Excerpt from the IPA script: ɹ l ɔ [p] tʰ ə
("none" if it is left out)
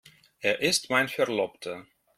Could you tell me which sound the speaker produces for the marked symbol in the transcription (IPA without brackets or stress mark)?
p